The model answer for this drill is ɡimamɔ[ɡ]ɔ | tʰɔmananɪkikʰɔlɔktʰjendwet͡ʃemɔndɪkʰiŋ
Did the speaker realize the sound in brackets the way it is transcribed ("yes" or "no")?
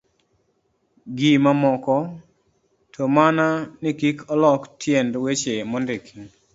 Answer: no